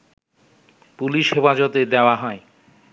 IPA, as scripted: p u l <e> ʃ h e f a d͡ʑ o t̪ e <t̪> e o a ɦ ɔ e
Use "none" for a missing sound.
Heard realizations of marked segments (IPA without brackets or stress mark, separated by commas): i, d̪